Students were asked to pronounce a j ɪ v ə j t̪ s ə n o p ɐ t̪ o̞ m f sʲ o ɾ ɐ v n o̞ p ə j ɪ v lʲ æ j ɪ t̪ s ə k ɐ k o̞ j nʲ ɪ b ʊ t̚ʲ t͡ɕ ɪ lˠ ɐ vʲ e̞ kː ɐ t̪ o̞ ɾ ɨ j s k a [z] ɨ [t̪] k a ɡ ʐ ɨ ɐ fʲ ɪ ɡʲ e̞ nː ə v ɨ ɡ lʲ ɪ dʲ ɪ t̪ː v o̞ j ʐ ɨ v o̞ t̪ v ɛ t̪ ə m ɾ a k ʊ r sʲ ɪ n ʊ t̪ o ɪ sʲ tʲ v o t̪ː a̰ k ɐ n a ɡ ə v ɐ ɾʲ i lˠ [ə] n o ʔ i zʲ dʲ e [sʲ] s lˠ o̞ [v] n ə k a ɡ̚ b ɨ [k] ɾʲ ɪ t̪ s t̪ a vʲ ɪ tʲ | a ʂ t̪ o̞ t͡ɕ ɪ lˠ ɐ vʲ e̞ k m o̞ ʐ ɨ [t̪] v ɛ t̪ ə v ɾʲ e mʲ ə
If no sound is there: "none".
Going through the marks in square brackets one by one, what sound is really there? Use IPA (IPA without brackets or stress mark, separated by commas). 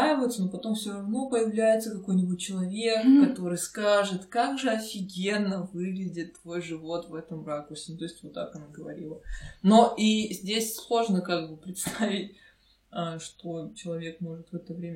ʐ, t̪, ə, sʲ, ʐ, p, t̪